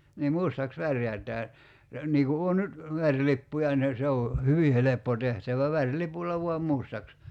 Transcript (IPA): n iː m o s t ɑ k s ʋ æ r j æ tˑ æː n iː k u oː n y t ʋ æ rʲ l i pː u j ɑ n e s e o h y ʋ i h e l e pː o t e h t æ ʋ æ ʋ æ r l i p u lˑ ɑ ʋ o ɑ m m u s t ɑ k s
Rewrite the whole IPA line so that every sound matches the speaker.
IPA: n iː m u s t ɑ k s ʋ æ r j æ tˑ æː n iː k u oː n y t ʋ æ rʲ l i pː u j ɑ n e s e o h y ʋ i h e l e pː o t e h t æ ʋ æ ʋ æ r l i p u lˑ ɑ ʋ u ɑ m m u s t ɑ k s